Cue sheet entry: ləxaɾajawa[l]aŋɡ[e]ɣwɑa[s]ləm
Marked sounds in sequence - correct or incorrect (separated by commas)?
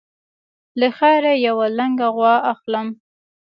correct, incorrect, incorrect